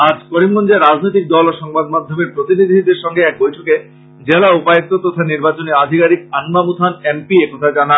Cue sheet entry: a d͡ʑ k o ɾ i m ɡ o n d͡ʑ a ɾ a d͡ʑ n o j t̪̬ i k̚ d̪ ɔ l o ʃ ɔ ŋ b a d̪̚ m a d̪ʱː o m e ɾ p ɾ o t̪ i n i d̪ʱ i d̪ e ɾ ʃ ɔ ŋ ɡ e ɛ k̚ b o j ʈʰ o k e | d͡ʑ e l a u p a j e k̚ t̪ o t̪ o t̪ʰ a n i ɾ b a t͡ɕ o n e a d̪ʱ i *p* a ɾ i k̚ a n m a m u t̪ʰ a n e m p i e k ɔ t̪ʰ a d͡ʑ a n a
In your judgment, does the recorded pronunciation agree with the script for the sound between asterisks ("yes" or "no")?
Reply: no